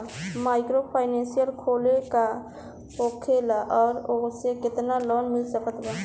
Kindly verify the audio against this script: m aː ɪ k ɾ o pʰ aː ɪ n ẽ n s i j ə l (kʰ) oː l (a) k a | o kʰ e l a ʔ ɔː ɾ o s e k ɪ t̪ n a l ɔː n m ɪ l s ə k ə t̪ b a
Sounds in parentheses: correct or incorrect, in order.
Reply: correct, incorrect: e

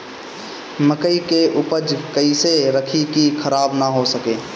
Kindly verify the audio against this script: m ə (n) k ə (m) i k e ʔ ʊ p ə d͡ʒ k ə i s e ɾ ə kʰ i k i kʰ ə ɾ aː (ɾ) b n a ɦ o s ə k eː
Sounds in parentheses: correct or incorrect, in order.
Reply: incorrect: none, incorrect: none, incorrect: none

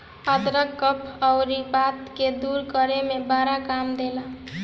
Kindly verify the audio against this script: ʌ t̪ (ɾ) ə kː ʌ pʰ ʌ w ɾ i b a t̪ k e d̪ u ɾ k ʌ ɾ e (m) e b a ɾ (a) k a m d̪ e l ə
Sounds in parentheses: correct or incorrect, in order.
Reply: correct, correct, correct

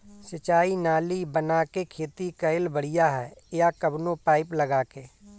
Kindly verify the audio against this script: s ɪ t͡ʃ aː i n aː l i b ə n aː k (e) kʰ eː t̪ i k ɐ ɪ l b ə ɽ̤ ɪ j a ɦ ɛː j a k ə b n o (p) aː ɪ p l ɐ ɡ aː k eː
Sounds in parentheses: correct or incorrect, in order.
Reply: correct, correct

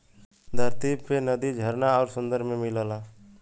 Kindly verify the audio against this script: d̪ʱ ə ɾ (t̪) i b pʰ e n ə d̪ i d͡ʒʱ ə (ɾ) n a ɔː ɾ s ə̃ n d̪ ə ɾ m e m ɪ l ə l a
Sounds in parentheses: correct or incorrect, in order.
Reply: correct, correct

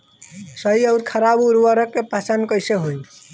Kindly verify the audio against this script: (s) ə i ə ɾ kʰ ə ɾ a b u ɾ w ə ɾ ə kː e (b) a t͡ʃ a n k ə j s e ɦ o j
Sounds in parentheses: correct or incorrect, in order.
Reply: correct, incorrect: p

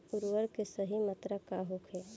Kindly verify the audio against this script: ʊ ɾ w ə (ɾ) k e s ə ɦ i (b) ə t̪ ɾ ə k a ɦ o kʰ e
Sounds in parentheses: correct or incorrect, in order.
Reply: correct, incorrect: m

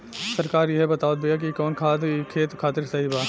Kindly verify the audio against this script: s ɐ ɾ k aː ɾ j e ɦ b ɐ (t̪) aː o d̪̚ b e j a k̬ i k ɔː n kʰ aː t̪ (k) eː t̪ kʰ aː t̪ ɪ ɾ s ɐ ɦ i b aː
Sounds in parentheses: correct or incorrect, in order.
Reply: correct, incorrect: kʰ

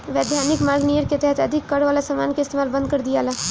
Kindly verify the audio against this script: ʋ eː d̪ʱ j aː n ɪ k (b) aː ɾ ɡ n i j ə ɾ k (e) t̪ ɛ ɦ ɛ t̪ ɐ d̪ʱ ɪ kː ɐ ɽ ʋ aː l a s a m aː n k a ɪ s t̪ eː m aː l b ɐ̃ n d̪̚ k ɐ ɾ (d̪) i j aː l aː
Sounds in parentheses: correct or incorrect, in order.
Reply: incorrect: m, correct, correct

